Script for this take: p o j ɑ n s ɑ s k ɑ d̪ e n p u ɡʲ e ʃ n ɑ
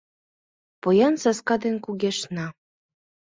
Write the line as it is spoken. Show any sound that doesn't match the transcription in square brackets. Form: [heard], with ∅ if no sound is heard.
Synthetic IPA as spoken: p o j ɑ n s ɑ s k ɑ d̪ e n [k] u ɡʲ e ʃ n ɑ